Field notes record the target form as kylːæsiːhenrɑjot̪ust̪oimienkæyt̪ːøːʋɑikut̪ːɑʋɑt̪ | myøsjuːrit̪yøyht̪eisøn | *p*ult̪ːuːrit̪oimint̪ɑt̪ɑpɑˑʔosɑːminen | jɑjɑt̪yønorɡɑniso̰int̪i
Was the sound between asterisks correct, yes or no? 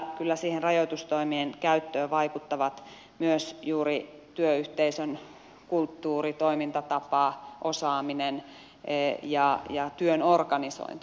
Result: no